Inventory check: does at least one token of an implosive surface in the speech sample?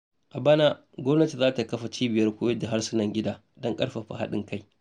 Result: yes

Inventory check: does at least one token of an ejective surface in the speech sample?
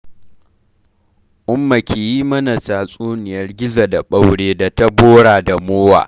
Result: yes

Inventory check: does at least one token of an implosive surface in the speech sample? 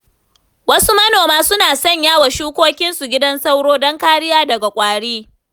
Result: no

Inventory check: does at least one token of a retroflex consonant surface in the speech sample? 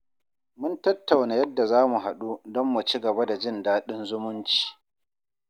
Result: no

